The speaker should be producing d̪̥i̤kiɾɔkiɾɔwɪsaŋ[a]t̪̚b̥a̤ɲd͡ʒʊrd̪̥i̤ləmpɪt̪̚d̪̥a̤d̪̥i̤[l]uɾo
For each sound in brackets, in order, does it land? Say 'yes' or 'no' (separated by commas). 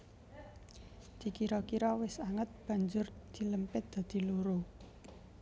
no, yes